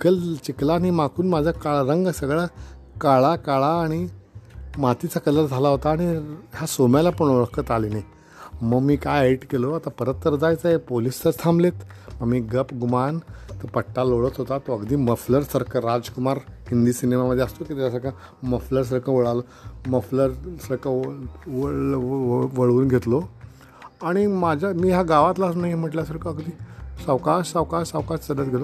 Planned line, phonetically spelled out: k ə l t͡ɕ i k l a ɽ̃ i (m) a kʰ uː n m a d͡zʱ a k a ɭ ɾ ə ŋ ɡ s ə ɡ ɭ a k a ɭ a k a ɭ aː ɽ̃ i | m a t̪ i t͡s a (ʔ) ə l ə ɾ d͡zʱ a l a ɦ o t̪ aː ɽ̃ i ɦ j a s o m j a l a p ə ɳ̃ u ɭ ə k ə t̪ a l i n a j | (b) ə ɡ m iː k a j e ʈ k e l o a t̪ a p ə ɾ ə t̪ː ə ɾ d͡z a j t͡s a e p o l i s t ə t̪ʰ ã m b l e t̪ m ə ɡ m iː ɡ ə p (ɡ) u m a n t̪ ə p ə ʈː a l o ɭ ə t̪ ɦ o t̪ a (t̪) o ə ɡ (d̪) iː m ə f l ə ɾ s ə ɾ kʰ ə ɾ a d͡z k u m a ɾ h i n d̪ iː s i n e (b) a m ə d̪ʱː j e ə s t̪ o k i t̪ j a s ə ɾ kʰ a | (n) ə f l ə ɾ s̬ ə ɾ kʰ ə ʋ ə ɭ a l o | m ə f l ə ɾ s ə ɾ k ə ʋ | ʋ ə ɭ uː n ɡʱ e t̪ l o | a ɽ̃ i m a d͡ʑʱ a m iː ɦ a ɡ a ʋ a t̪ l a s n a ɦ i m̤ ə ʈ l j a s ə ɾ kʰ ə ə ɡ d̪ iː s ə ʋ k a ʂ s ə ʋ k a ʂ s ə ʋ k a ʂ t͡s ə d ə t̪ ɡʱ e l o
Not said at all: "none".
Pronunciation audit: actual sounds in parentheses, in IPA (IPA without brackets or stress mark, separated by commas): m, k, m, ɡ, t̪, d̪, m, m